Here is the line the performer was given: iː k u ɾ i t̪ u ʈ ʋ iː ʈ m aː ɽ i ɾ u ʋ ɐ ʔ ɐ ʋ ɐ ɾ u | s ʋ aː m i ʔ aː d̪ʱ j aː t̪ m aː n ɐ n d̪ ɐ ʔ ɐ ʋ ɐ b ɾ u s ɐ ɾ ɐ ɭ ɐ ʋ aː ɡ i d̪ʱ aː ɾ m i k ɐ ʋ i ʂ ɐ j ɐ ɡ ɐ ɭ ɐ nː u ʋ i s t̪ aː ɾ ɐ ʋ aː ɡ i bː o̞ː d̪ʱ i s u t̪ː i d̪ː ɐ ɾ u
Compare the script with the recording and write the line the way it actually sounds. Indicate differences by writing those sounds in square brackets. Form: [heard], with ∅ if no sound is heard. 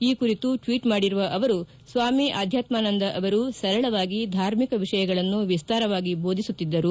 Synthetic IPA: iː k u ɾ i t̪ u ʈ ʋ iː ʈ m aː ɽ i ɾ u ʋ ɐ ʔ ɐ ʋ ɐ ɾ u | s ʋ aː m i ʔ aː d̪ʱ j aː t̪ m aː n ɐ n d̪ ɐ ʔ ɐ ʋ ɐ [∅] ɾ u s ɐ ɾ ɐ ɭ ɐ ʋ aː ɡ i d̪ʱ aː ɾ m i k ɐ ʋ i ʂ ɐ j ɐ ɡ ɐ ɭ ɐ nː u ʋ i s t̪ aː ɾ ɐ ʋ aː ɡ i [b] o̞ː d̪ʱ i s u t̪ː i d̪ː ɐ ɾ u